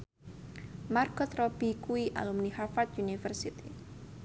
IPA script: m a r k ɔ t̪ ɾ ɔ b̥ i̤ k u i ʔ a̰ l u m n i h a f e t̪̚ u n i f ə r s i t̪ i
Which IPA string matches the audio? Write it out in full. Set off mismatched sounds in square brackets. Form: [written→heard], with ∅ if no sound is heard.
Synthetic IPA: m a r k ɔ t̪ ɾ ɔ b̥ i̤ k u i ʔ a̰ l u m n i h a f [e→a] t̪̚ u n i f ə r s i t̪ i